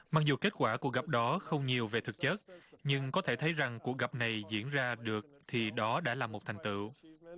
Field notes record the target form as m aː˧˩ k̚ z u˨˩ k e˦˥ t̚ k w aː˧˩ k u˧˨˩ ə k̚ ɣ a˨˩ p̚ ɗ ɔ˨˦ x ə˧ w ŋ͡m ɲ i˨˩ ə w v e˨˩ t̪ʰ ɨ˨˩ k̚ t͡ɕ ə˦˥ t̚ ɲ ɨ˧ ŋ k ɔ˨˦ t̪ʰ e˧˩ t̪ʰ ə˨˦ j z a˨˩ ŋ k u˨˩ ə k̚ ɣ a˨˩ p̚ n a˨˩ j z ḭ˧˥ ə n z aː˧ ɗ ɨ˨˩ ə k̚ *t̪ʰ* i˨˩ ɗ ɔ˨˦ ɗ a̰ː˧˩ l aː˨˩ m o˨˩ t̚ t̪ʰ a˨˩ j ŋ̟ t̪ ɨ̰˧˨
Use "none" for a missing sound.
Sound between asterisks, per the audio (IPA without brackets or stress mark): t̪ʰ